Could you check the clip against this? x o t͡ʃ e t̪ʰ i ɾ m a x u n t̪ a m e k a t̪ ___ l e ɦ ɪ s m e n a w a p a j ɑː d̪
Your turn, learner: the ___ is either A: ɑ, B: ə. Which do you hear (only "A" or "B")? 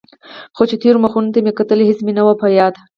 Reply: B